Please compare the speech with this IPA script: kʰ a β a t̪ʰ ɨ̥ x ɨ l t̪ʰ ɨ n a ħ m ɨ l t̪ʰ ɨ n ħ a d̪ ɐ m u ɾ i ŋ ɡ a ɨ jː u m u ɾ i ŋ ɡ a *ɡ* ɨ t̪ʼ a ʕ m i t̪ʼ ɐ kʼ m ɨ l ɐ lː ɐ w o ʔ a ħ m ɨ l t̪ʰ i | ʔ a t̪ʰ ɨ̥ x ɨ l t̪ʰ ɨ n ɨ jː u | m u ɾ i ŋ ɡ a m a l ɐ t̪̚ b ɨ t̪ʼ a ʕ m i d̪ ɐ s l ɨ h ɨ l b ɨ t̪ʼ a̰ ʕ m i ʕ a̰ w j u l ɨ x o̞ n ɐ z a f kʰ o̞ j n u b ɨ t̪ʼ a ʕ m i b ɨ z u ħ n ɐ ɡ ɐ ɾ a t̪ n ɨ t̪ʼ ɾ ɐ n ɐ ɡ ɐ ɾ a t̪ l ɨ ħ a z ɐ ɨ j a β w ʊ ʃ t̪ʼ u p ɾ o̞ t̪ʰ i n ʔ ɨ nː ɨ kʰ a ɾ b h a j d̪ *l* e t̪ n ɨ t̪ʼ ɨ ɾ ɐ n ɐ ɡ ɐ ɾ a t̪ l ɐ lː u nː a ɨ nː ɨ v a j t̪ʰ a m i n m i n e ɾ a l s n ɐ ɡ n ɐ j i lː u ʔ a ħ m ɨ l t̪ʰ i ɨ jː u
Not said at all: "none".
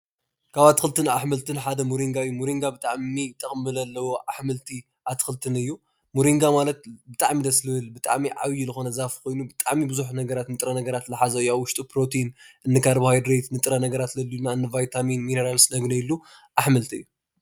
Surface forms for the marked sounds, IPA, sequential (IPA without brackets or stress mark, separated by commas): b, ɾ